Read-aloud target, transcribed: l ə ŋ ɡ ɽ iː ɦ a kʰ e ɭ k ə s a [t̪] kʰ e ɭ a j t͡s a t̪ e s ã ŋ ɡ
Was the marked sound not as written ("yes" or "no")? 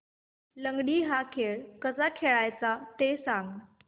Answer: yes